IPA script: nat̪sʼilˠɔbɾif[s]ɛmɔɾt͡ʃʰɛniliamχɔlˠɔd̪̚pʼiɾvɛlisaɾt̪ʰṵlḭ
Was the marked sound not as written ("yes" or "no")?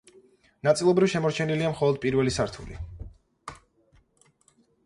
yes